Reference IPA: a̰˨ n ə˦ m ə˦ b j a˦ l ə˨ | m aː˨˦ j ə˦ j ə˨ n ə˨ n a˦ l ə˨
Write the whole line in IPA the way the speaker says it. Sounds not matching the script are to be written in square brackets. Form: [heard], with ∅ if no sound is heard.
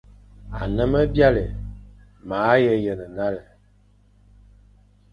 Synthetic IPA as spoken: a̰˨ n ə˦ m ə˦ b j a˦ l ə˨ | m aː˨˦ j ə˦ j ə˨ n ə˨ n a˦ l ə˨